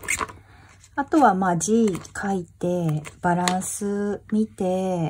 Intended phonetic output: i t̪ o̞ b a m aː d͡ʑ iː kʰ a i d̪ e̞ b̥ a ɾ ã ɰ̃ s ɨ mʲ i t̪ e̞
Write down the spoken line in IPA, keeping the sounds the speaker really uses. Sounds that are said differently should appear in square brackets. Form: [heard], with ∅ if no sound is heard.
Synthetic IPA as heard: [a] t̪ o̞ [β] a m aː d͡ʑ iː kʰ a i [t̪] e̞ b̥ a ɾ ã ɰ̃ s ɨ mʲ i t̪ e̞